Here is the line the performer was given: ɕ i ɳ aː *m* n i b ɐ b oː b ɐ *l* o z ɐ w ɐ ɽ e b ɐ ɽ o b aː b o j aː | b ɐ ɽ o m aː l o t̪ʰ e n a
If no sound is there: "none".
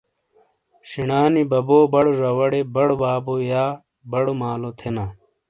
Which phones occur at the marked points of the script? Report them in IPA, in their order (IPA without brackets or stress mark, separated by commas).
none, ɽ